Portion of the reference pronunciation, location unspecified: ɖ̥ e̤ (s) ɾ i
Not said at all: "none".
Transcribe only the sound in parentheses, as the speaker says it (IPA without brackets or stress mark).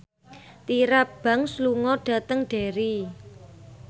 none